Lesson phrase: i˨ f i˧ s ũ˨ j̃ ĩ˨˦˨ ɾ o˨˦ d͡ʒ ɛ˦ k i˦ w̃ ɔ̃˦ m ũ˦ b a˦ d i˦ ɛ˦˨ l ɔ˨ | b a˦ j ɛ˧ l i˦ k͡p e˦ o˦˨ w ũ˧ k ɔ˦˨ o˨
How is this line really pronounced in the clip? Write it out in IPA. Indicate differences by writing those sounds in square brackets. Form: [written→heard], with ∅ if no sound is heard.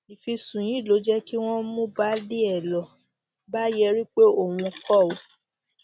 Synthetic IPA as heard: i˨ f i˧ s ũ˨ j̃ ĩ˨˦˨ [ɾ→l] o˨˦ d͡ʒ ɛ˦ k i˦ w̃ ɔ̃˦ m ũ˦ b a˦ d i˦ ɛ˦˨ l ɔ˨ | b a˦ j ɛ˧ [l→ɾ] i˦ k͡p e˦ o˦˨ w ũ˧ k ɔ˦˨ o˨